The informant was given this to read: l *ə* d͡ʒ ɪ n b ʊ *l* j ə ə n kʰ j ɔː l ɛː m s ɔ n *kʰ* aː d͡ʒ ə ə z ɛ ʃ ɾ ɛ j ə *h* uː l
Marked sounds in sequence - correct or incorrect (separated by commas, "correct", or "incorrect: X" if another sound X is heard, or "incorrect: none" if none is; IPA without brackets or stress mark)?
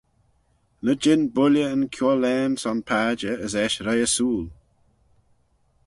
correct, correct, incorrect: pʰ, incorrect: s